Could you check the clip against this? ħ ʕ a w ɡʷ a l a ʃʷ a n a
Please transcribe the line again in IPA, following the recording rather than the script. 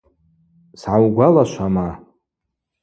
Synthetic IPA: s ʕ a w ɡʷ a l a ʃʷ a m a